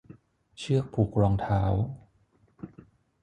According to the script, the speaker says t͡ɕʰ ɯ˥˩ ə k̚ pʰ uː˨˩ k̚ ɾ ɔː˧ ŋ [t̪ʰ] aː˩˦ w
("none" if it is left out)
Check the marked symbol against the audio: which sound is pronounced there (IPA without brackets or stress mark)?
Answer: t̪ʰ